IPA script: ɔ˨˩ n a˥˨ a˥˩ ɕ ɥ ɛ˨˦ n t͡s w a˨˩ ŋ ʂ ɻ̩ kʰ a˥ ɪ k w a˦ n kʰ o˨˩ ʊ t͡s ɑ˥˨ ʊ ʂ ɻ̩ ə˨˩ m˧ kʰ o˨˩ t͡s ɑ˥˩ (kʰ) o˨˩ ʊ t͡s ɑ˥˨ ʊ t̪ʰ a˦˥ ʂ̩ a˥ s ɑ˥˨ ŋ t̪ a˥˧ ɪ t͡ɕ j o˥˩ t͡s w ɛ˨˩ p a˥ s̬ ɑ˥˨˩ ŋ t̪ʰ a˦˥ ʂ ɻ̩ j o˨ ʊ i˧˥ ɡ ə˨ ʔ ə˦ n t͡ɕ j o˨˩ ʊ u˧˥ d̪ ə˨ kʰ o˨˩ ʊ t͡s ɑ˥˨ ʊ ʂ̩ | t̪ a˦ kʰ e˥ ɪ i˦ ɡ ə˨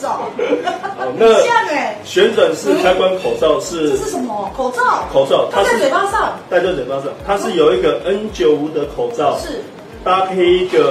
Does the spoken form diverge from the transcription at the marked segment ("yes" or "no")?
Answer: no